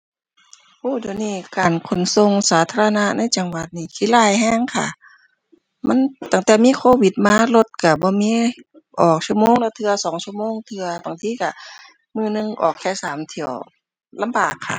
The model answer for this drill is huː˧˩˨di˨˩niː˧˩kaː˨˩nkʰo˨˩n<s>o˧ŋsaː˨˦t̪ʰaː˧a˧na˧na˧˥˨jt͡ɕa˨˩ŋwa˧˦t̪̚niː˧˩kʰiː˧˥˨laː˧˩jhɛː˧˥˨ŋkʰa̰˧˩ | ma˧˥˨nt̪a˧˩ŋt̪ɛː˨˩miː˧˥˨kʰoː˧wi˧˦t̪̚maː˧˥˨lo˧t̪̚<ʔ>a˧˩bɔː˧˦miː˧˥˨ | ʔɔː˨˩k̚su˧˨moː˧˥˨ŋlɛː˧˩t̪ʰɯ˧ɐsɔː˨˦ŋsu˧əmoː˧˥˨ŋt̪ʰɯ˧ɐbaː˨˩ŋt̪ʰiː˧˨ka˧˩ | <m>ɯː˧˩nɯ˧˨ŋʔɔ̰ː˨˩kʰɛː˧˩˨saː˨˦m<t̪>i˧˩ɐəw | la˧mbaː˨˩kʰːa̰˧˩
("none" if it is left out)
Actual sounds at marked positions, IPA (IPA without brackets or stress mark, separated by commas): s, k, m, t̪ʰ